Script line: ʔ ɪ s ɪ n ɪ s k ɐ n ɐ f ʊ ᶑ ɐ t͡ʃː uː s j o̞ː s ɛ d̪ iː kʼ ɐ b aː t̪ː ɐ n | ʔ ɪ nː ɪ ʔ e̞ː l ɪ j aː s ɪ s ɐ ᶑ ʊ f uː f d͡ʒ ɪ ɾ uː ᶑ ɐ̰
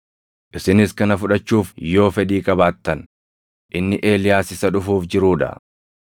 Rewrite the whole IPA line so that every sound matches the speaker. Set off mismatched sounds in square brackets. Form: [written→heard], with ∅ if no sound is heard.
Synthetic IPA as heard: ʔ ɪ s ɪ n ɪ s k ɐ n ɐ f ʊ ᶑ ɐ t͡ʃː uː [s→f] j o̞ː [s→f] ɛ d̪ iː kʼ ɐ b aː t̪ː ɐ n | ʔ ɪ nː ɪ ʔ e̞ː l ɪ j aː s ɪ s ɐ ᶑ ʊ f uː f d͡ʒ ɪ ɾ uː ᶑ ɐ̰